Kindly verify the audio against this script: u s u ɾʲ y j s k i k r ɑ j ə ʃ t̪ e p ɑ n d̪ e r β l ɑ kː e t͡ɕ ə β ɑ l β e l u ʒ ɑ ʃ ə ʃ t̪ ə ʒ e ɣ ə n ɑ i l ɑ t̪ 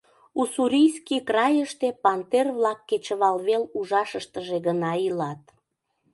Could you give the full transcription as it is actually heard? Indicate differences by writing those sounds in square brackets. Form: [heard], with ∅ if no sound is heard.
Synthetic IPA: u s u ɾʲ [i] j s k i k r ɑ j ə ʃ t̪ e p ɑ n [t̪] e r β l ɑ kː e t͡ɕ ə β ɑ l β e l u ʒ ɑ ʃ ə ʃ t̪ ə ʒ e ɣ ə n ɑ i l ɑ t̪